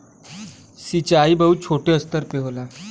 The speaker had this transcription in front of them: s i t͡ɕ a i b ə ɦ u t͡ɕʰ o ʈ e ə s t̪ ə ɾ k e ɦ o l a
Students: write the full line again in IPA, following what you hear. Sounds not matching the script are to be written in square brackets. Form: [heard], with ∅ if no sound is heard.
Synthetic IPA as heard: s i t͡ɕ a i b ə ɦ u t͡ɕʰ o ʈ e ə s t̪ ə ɾ [p] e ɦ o l a